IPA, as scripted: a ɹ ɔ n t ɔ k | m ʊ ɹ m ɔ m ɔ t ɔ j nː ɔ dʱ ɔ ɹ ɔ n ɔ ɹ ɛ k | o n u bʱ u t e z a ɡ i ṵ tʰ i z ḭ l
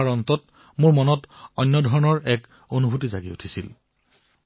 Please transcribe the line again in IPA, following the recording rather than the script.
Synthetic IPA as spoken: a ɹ ɔ n t ɔ t | m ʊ ɹ m ɔ n ɔ t ɔ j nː ɔ dʱ ɔ ɹ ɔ n ɔ ɹ ɛ k | o n u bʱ u t i z a ɡ i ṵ tʰ i s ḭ l